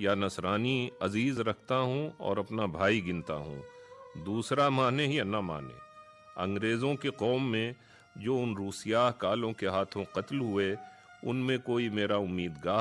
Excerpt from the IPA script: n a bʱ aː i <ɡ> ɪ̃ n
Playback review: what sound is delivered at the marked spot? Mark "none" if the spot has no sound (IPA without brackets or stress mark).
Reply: ɡ